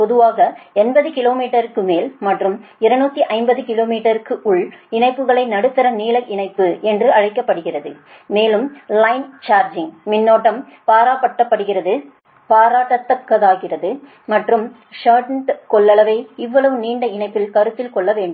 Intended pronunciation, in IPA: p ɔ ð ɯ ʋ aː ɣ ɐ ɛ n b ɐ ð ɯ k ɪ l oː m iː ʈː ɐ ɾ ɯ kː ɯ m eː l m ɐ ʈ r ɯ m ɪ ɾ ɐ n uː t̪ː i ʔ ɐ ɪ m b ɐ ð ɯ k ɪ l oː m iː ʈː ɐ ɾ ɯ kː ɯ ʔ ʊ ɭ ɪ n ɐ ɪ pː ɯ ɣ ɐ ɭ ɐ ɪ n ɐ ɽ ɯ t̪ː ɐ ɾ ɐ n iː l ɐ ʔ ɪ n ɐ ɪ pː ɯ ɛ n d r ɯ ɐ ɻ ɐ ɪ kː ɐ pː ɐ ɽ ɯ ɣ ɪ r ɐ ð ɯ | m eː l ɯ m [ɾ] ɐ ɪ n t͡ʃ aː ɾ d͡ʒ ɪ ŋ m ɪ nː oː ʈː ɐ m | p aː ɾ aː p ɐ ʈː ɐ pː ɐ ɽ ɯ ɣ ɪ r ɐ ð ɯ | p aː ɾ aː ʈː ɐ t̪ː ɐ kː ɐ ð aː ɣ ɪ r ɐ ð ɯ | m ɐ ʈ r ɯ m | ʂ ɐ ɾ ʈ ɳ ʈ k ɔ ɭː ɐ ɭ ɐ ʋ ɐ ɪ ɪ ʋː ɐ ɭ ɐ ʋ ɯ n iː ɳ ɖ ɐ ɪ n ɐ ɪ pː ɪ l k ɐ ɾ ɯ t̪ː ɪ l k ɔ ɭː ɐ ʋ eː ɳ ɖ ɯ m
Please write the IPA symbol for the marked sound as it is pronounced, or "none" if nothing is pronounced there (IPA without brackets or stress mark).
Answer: l